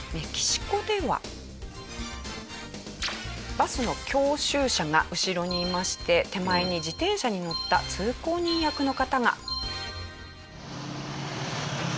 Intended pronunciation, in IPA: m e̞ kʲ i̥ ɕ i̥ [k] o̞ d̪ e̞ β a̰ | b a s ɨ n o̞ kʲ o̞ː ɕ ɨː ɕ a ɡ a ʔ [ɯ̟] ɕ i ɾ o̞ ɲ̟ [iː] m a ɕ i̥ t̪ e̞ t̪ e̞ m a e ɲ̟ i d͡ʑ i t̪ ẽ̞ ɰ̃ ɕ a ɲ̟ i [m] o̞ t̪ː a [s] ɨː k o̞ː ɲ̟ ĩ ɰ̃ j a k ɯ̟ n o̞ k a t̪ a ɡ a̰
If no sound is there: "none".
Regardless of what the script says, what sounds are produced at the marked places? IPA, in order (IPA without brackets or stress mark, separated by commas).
k, ɯ̟, iː, n, t͡s